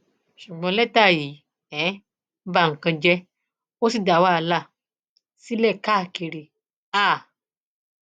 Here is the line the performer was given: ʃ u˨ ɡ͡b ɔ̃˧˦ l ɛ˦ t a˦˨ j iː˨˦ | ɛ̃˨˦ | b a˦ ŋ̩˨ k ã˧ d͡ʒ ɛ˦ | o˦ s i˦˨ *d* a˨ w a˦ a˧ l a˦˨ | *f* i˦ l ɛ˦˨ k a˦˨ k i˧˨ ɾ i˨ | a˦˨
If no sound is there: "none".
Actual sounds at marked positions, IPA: d, s

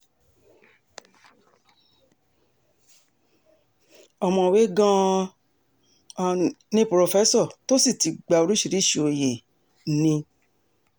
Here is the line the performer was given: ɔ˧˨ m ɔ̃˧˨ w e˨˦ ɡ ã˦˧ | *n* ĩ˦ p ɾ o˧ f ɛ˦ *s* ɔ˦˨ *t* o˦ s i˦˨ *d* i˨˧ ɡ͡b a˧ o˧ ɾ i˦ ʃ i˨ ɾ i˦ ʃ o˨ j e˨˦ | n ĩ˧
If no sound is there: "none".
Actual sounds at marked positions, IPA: n, s, t, t

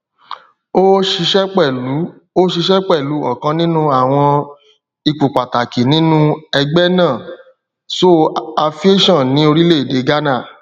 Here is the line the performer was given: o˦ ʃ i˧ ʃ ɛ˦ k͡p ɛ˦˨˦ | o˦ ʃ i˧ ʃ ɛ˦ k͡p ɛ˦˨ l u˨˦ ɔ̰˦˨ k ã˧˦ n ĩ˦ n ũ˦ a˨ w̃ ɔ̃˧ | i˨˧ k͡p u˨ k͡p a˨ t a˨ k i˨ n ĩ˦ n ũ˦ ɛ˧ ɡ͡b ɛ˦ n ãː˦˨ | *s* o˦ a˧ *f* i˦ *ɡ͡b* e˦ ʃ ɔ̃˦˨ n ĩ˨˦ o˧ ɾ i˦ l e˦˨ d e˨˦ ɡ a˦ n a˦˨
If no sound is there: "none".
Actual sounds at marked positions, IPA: s, f, none

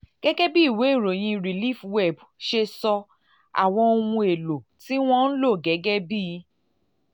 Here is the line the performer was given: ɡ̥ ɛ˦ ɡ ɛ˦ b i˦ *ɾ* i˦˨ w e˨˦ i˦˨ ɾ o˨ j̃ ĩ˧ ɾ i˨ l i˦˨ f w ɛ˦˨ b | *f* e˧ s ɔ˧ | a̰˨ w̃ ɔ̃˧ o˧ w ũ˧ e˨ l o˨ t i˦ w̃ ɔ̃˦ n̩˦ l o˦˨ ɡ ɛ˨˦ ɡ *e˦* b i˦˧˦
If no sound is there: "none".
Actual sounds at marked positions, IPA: none, ʃ, ɛ˦

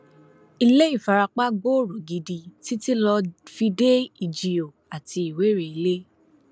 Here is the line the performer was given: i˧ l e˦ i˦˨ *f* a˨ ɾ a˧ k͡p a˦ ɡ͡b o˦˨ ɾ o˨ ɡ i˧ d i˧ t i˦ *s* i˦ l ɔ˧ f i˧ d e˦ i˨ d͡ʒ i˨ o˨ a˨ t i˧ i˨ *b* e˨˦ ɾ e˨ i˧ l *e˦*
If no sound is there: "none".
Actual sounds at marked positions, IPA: f, t, w, e˦

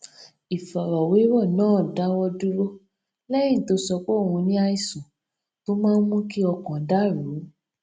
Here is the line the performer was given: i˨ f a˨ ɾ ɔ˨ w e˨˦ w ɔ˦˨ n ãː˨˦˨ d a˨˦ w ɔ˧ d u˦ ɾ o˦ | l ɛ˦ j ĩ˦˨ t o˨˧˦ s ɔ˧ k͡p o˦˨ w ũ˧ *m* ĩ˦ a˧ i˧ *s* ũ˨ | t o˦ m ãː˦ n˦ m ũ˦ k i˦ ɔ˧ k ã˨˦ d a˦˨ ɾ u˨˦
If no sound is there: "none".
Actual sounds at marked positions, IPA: n, s

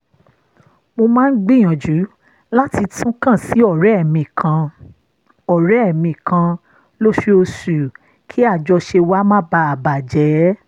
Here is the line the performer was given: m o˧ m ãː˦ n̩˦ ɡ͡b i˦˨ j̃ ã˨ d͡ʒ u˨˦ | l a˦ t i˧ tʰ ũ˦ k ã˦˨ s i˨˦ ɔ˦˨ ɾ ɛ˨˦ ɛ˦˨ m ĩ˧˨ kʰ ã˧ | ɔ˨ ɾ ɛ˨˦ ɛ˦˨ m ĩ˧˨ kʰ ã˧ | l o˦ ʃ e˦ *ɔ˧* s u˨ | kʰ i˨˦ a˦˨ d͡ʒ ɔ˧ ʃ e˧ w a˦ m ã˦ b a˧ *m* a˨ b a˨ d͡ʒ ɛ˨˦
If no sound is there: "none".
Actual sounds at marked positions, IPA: o˧, none

